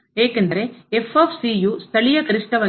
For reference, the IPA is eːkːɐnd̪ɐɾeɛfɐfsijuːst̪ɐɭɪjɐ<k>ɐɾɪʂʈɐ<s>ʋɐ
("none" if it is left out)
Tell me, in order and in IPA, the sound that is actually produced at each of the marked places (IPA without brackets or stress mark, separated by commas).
k, none